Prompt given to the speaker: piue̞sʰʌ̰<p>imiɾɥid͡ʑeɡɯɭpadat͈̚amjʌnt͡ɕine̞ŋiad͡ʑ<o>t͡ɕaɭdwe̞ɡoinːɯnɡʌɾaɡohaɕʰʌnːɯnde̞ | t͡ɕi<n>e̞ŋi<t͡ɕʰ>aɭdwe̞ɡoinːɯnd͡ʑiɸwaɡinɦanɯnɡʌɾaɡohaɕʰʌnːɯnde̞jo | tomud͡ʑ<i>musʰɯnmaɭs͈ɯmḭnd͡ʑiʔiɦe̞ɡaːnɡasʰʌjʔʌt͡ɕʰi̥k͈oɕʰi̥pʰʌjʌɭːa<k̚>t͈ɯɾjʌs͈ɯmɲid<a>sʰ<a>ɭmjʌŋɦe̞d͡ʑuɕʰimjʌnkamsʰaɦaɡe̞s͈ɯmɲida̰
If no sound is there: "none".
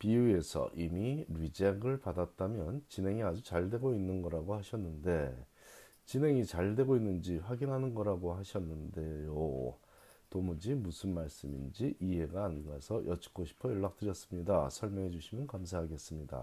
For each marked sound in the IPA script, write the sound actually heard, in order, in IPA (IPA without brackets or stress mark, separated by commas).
ʔ, u, n, t͡ɕ, i, k̚, a, ʌ